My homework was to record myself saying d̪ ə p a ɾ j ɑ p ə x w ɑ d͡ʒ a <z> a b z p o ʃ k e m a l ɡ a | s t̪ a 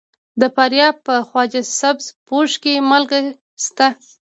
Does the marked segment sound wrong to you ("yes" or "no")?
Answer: yes